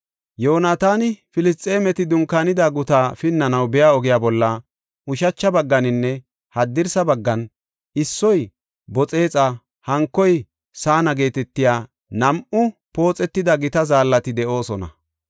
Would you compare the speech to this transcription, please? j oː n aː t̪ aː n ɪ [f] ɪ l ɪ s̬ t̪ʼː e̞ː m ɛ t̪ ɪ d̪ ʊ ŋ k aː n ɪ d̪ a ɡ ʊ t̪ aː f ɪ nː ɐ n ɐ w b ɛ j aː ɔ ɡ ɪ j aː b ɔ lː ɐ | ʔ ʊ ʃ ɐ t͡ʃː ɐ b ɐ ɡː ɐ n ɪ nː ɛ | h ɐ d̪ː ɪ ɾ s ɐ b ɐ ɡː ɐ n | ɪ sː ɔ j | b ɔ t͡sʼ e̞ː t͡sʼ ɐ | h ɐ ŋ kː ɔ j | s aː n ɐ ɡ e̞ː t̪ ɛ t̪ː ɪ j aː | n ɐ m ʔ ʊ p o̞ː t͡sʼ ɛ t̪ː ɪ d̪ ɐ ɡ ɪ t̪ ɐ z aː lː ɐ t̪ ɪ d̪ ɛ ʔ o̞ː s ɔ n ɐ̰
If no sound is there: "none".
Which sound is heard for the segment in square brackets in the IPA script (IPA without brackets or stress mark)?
f